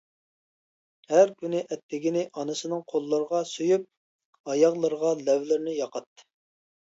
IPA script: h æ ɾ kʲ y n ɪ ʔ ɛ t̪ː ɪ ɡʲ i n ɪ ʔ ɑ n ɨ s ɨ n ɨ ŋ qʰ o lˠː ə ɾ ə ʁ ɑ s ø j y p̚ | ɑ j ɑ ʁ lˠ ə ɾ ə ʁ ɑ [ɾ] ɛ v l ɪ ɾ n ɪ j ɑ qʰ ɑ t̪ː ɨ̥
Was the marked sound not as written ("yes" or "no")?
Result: yes